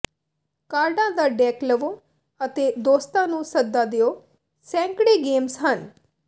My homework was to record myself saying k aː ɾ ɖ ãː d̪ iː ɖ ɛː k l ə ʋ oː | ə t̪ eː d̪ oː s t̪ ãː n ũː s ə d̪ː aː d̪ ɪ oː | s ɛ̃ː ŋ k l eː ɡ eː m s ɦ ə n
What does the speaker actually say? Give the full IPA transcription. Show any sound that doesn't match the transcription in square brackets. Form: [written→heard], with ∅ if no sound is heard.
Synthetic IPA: k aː ɾ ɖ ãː d̪ [iː→aː] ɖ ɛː k l ə ʋ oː | ə t̪ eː d̪ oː s t̪ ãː n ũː s ə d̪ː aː d̪ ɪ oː | s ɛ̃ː ŋ k [l→ɽ] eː ɡ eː m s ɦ ə n